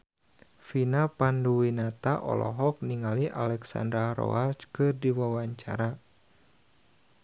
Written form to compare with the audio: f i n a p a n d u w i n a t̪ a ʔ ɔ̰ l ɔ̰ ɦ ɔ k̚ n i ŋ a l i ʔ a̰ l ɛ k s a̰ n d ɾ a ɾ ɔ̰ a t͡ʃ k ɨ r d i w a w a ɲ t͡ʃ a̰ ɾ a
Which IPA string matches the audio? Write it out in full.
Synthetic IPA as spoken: f i n a p a n d u w i n a t̪ a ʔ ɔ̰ l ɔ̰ ɦ ɔ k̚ n i ŋ a l i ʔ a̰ l ɛ k s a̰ n d ɾ a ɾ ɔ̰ a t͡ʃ k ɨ r d i w a w a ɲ t͡ʃ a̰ ɾ a

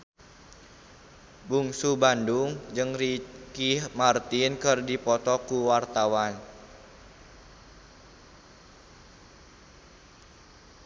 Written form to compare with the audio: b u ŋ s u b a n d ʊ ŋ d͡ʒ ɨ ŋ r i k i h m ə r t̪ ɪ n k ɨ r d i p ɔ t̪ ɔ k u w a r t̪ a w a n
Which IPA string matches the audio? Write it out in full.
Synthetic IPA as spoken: b u ŋ s u b a n d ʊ ŋ d͡ʒ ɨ ŋ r i k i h m a r t̪ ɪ n k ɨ r d i p ɔ t̪ ɔ k u w a r t̪ a w a n

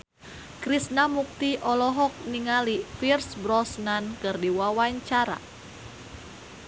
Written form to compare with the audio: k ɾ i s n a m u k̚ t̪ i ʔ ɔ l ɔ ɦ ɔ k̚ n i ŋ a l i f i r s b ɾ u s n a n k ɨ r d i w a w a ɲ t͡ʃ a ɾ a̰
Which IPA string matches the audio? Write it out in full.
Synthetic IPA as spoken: k ɾ i s n a m u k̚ t̪ i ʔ ɔ l ɔ ɦ ɔ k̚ n i ŋ a l i f i r s b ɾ ɔ s n a n k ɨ r d i w a w a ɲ t͡ʃ a ɾ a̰

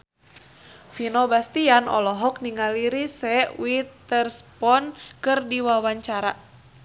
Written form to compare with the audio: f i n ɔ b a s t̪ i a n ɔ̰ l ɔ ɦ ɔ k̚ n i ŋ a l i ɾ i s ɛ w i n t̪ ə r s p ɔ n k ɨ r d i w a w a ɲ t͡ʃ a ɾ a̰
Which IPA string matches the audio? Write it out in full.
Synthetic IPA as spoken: f i n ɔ b a s t̪ i a n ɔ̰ l ɔ ɦ ɔ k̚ n i ŋ a l i ɾ i s ɛ w i t̪ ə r s p ɔ n k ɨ r d i w a w a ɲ t͡ʃ a ɾ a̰

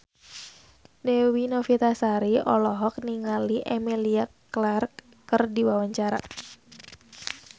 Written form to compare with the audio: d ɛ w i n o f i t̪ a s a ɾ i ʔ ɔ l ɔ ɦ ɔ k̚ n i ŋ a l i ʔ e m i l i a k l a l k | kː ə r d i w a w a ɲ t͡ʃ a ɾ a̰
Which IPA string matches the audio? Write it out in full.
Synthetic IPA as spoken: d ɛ w i n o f i t̪ a s a ɾ i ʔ ɔ l ɔ ɦ ɔ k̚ n i ŋ a l i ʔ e m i l i a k l a r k | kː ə r d i w a w a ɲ t͡ʃ a ɾ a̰

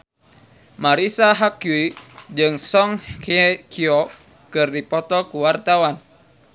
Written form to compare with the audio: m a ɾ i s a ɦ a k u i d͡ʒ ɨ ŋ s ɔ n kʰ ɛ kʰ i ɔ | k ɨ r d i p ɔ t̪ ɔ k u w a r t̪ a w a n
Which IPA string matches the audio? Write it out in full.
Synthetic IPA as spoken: m a ɾ i s a ɦ a k u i d͡ʒ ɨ ŋ s ɔ ŋ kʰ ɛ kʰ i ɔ | k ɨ r d i p ɔ t̪ ɔ k u w a r t̪ a w a n

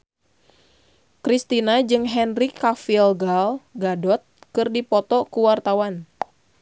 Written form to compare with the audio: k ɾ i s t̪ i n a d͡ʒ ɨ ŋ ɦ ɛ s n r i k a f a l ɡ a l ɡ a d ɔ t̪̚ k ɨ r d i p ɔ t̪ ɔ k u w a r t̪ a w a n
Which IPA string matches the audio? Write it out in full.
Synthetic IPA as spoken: k ɾ i s t̪ i n a d͡ʒ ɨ ŋ ɦ ɛ n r i k a f i l ɡ a l ɡ a d ɔ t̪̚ k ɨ r d i p ɔ t̪ ɔ k u w a r t̪ a w a n

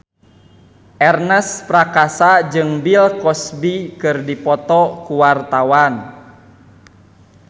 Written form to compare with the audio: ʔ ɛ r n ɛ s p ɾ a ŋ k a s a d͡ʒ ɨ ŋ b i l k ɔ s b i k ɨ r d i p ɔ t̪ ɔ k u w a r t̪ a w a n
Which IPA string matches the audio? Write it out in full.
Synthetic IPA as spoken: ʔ ɛ r n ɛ s p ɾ a k a s a d͡ʒ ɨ ŋ b i l k ɔ s b i k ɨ r d i p ɔ t̪ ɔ k u w a r t̪ a w a n

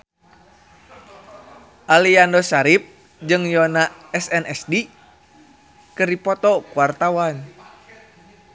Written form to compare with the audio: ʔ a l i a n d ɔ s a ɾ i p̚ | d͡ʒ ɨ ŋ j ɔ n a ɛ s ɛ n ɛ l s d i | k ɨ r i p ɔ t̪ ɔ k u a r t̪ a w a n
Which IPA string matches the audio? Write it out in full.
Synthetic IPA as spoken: ʔ a l i a n d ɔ s a ɾ i p̚ | d͡ʒ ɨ ŋ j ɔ n a ɛ s ɛ n ɛ s d i | k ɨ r i p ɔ t̪ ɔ k u a r t̪ a w a n

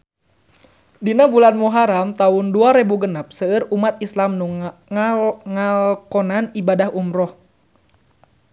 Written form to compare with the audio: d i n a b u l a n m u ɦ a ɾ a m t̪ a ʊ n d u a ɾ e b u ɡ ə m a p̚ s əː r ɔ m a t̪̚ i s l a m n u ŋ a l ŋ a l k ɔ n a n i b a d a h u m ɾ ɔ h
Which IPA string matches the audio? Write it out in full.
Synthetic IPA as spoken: d i n a b u l a n m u ɦ a ɾ a m t̪ a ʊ n d u a ɾ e b u ɡ ə n a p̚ s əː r u m a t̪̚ i s l a m n u ŋ a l ŋ a l k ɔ n a n i b a d a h u m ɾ ɔ h

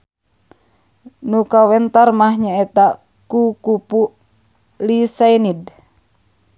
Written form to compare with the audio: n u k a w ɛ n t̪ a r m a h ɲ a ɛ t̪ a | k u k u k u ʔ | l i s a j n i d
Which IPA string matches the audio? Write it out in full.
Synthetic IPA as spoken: n u k a w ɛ n t̪ a r m a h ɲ a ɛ t̪ a | k u k u p u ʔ | l i s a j n i d

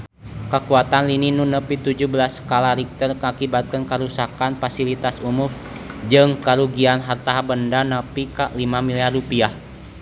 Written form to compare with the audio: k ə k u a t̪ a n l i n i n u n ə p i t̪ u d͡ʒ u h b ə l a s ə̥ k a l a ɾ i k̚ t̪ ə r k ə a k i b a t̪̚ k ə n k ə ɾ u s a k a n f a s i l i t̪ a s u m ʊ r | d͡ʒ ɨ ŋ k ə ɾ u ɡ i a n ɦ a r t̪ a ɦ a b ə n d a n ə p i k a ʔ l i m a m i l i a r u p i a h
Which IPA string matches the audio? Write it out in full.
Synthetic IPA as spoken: k ə k u a t̪ a n l i n i n u n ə p i t̪ u d͡ʒ u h b ə l a s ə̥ k a l a ɾ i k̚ t̪ ə r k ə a k i b a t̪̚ k ə n k ə ɾ u s a k a n f a s i l i t̪ a s u m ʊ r | d͡ʒ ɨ ŋ k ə ɾ u ɡ i a n ɦ a r t̪ a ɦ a b ə n d a n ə p i k a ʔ l i m a m i l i a r u p i a h

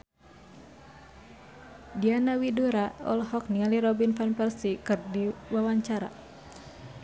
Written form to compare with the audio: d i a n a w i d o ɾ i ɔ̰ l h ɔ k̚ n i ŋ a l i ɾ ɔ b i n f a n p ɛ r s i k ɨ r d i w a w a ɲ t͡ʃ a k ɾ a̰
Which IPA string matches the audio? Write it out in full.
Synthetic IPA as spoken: d i a n a w i d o ɾ a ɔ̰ l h ɔ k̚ n i ŋ a l i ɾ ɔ b i n f a n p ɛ r s i k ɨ r d i w a w a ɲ t͡ʃ a ɾ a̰

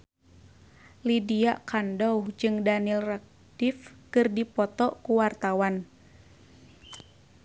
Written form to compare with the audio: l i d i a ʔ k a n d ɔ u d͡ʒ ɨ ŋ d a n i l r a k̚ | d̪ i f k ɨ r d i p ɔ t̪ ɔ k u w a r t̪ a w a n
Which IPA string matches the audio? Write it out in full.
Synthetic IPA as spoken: l i d i a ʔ k a n d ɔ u d͡ʒ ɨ ŋ d a n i l r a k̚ | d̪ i f k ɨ r d i p ɔ t̪ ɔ k u w a r t̪ a w a n

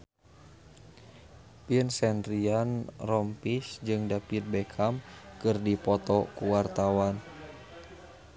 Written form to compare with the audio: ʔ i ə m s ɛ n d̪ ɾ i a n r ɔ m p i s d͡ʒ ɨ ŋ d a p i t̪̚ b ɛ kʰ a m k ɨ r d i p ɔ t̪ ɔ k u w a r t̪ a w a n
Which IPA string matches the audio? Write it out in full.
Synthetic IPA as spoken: p i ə n s ɛ n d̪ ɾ i a n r ɔ m p i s d͡ʒ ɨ ŋ d a p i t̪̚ b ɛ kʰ a m k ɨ r d i p ɔ t̪ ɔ k u w a r t̪ a w a n

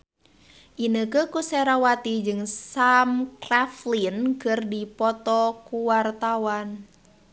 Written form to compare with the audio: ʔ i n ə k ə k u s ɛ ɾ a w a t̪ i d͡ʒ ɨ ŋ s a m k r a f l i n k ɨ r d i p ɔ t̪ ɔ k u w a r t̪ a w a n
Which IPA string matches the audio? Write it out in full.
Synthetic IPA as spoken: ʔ i n ə k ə k u s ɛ ɾ a w a t̪ i d͡ʒ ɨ ŋ s a m k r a f l i n k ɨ r d i p ɔ t̪ ɔ k u w a r t̪ a w a n

